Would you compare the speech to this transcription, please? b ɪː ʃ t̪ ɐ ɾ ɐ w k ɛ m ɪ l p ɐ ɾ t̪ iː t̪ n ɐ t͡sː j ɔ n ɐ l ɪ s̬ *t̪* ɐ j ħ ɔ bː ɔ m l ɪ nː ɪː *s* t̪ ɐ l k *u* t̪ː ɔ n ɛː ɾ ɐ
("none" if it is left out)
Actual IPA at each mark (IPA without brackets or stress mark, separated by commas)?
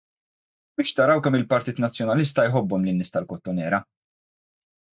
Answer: t̪, s, ɔ